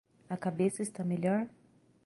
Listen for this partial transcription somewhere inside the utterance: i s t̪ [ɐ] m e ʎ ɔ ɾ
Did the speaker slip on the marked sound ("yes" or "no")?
yes